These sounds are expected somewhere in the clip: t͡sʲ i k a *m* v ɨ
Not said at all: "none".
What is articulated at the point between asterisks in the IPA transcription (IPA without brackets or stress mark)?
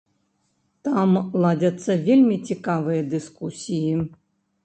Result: none